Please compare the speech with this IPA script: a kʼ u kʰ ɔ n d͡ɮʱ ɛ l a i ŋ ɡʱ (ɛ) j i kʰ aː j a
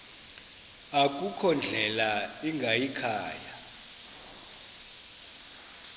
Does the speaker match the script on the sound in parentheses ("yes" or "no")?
no